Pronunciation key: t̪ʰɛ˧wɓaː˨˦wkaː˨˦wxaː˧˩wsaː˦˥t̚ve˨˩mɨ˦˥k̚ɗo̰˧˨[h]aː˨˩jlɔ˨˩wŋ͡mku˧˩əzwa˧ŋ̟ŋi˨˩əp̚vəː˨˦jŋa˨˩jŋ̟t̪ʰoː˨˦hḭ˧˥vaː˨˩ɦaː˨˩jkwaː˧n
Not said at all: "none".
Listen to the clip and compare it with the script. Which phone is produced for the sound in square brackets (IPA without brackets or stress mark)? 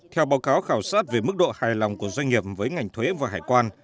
h